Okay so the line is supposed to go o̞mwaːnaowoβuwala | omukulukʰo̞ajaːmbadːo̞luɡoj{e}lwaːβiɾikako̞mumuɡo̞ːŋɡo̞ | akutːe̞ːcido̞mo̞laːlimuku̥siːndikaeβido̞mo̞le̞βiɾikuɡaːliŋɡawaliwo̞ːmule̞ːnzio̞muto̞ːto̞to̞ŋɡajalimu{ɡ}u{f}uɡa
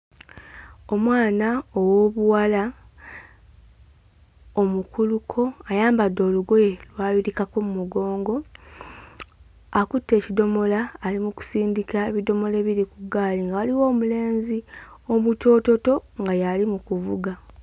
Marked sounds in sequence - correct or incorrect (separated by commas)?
correct, incorrect, incorrect